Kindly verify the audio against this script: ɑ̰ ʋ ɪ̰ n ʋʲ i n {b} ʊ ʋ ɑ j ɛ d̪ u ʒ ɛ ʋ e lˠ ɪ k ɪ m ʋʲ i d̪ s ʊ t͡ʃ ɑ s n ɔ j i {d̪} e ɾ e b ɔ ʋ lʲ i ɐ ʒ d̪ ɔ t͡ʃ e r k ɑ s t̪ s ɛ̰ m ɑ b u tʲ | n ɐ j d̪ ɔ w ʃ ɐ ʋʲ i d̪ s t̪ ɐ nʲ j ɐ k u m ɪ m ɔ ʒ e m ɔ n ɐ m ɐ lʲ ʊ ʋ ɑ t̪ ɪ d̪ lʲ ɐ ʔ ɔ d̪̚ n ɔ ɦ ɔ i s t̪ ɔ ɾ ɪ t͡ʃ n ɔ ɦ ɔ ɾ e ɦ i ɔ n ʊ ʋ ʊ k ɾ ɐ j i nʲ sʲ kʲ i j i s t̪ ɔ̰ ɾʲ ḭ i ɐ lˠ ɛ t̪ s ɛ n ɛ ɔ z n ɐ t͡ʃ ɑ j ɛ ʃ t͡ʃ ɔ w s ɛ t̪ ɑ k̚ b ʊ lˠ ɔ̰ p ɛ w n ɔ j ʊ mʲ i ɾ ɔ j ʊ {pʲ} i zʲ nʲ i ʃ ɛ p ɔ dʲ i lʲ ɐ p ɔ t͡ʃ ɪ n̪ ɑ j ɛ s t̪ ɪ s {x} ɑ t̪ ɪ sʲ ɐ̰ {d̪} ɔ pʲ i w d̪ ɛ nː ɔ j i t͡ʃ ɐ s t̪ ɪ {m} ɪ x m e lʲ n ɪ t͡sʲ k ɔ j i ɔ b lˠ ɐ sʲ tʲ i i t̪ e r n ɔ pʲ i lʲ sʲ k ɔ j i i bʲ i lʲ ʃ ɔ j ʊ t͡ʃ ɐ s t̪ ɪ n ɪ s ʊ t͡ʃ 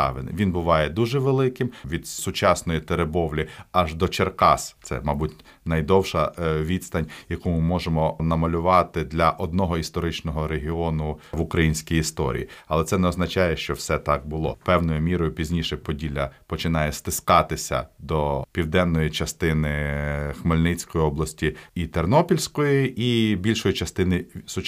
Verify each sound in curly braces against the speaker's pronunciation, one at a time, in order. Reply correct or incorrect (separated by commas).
correct, incorrect, correct, incorrect, correct, incorrect